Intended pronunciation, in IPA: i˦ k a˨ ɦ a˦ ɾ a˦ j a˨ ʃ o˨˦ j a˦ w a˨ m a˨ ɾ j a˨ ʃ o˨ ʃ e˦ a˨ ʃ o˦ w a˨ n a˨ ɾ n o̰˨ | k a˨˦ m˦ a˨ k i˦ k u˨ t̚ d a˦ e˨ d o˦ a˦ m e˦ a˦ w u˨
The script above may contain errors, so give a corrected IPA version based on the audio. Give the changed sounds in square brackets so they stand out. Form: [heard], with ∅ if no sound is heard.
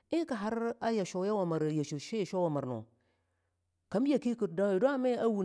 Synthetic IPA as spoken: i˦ k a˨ ɦ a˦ ɾ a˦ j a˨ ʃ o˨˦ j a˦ w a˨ m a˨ ɾ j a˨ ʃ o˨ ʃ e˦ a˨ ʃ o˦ w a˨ [m] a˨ ɾ n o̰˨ | k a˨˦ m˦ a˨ k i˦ k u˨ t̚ d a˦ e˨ d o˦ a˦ m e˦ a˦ w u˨